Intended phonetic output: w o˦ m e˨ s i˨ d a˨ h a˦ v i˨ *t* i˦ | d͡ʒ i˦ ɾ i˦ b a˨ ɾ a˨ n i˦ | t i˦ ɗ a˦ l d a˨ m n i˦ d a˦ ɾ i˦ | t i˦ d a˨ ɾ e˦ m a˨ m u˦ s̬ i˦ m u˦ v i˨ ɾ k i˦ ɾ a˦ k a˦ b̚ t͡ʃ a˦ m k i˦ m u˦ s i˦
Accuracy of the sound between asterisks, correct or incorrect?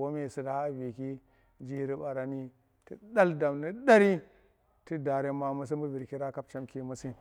incorrect